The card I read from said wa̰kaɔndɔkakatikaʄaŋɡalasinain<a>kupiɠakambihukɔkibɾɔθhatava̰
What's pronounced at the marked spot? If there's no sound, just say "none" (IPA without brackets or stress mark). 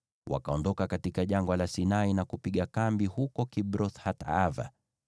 a